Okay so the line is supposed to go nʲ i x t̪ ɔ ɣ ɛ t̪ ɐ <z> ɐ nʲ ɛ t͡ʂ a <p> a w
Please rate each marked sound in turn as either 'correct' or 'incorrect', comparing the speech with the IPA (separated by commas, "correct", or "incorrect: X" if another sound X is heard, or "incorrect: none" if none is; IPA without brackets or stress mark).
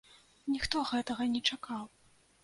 incorrect: ɣ, incorrect: k